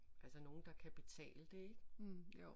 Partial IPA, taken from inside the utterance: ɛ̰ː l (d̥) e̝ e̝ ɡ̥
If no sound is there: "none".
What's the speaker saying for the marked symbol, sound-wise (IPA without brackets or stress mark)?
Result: d̥